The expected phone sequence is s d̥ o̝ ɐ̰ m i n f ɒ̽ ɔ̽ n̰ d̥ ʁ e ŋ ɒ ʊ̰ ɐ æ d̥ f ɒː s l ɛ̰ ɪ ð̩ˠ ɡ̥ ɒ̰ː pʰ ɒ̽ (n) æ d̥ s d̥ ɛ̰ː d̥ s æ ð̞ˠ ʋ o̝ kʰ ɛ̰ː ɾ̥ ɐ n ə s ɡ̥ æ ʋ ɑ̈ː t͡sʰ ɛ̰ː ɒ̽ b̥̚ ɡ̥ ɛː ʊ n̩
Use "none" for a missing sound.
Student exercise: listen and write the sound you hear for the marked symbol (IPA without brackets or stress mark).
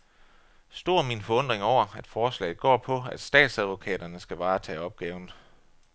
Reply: none